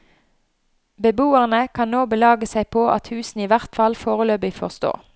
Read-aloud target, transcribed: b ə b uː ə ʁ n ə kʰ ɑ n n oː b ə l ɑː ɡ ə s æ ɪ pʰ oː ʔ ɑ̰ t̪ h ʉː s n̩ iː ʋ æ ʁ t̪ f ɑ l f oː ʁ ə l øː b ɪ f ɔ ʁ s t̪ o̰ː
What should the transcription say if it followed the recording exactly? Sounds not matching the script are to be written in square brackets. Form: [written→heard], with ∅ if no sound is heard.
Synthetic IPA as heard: b ə b uː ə ʁ n ə kʰ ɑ n n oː b ə l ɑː ɡ ə s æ ɪ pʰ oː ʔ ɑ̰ t̪ h ʉː s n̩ iː ʋ æ ʁ t̪ f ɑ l f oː ʁ ə l øː b ɪ f ɔ ʁ s t̪ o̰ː